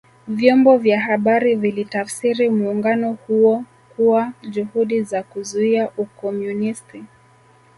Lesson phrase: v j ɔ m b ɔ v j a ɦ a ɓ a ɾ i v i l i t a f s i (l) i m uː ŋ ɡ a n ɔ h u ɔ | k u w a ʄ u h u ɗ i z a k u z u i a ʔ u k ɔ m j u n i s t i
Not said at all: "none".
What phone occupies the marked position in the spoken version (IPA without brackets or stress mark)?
ɾ